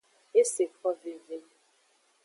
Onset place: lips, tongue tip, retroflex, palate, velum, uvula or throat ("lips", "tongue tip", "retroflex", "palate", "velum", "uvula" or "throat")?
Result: tongue tip